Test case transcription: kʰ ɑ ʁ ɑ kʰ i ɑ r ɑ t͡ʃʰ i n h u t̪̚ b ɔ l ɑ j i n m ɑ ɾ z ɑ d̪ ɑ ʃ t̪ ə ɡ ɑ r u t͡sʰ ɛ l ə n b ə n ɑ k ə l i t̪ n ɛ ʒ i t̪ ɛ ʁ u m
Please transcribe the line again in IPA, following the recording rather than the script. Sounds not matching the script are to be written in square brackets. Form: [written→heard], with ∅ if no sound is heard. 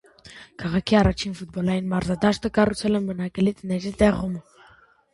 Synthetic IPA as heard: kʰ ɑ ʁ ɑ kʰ i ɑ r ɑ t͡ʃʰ i n [h→f] u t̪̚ b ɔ l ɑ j i n m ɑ ɾ z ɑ d̪ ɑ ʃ t̪ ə [ɡ→k] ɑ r u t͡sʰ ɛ l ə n b ə n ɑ k ə l i t̪ n ɛ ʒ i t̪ ɛ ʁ u m